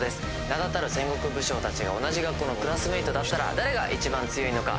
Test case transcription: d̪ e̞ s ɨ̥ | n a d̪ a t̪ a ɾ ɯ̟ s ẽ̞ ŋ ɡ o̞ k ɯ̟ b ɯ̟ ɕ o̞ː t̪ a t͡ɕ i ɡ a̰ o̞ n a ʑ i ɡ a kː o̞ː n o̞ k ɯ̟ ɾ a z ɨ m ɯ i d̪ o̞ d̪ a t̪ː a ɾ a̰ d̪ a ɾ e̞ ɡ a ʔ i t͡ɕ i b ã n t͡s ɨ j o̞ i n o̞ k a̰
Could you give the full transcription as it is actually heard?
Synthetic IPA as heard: d̪ e̞ s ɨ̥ | n a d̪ a t̪ a ɾ ɯ̟ s ẽ̞ ŋ ɡ o̞ k ɯ̟ b ɯ̟ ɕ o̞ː t̪ a t͡ɕ i ɡ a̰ o̞ n a ʑ i ɡ a kː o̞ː n o̞ k ɯ̟ ɾ a s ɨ m ɯ i t̪ o̞ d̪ a t̪ː a ɾ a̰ d̪ a ɾ e̞ ɡ a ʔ i t͡ɕ i b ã n t͡s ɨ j o̞ i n o̞ k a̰